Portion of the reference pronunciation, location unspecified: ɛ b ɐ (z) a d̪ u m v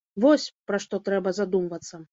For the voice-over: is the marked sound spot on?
yes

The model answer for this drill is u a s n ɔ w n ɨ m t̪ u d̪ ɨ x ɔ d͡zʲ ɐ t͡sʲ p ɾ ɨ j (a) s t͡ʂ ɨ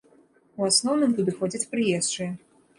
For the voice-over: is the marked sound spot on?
no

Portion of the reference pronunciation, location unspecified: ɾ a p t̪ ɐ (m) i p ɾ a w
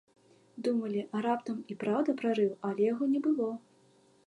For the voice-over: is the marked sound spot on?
yes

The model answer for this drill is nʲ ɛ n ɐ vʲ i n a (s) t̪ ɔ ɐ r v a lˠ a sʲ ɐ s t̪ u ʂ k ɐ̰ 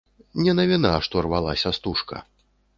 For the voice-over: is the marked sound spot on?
no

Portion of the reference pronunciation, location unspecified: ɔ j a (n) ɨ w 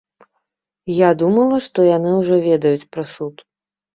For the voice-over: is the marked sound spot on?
yes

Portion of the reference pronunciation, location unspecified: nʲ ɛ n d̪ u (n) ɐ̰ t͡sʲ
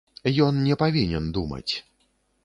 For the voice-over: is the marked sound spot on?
no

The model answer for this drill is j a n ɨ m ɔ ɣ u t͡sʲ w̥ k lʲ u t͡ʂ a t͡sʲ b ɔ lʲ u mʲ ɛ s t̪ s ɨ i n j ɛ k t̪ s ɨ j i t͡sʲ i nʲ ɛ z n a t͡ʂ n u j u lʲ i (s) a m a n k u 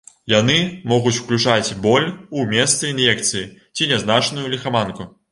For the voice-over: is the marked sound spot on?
no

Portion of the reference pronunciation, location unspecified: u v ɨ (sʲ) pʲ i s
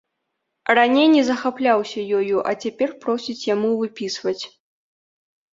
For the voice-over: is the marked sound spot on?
no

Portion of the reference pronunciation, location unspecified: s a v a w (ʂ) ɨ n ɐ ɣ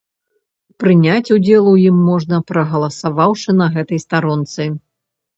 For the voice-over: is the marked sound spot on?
yes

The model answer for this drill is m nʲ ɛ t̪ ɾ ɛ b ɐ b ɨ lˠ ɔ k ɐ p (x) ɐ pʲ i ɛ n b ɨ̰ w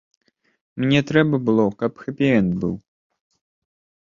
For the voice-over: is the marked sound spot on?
yes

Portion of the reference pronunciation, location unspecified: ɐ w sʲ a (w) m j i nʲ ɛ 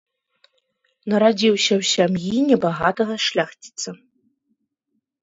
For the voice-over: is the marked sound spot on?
no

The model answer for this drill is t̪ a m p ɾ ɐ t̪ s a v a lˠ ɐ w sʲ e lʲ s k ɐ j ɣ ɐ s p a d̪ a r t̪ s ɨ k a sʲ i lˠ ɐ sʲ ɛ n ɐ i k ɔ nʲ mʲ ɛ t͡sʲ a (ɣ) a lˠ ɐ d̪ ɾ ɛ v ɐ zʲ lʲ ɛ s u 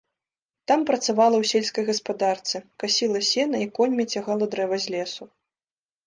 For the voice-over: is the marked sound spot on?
yes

